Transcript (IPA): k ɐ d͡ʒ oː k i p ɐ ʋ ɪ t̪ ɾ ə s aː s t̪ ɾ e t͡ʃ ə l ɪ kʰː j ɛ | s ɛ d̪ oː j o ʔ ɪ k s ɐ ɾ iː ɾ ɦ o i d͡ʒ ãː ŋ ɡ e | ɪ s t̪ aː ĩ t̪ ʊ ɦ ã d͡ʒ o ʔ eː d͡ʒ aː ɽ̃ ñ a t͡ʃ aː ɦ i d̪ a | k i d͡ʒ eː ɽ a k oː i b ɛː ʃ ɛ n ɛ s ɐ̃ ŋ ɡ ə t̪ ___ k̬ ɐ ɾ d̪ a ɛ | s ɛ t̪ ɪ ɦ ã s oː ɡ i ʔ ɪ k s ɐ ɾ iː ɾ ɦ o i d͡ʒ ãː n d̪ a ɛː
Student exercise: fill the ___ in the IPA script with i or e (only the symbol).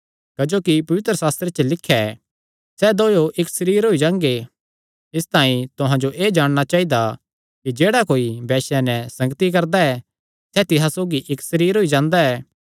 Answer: i